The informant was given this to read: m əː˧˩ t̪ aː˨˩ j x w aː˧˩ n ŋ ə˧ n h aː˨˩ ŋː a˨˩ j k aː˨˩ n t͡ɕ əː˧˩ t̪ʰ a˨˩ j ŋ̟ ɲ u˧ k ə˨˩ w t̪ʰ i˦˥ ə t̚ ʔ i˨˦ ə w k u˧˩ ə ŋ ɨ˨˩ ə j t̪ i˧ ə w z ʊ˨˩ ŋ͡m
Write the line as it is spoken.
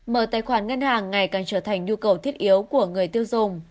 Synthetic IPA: m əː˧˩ t̪ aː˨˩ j x w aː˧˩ n ŋ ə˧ n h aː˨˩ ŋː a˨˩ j k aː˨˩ n t͡ɕ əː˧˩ t̪ʰ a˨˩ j ŋ̟ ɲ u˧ k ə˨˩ w t̪ʰ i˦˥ ə t̚ ʔ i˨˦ ə w k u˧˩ ə ŋ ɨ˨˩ ə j t̪ i˧ ə w z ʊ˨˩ ŋ͡m